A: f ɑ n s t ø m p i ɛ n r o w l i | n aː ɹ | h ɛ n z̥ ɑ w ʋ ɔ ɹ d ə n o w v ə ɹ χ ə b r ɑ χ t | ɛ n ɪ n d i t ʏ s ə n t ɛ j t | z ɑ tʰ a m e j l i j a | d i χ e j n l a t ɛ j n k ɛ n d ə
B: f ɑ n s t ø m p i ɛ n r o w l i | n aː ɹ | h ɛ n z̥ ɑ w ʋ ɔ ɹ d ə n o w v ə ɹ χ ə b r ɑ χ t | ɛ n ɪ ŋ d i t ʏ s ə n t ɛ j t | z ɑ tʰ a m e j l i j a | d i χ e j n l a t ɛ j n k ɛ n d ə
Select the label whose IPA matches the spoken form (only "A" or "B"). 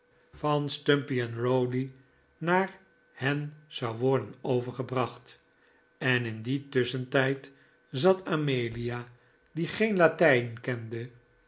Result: A